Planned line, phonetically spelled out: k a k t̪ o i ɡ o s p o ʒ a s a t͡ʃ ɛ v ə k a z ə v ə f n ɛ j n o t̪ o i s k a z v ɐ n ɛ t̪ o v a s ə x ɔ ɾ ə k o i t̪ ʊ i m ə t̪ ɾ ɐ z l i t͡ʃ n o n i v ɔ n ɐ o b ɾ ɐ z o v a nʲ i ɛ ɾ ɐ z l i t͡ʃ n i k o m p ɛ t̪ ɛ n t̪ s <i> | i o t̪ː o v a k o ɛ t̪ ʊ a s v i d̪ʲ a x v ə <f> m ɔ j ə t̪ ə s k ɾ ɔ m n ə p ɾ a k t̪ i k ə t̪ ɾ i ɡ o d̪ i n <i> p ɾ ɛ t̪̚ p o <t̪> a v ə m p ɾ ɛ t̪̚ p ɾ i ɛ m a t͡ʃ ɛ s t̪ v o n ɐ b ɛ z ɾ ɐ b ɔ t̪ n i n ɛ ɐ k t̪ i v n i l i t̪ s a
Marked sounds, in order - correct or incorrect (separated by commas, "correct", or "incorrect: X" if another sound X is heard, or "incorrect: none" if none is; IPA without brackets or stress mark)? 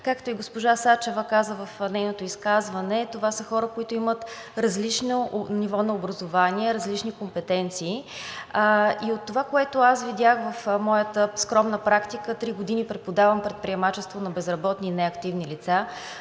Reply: incorrect: iː, correct, correct, incorrect: d̪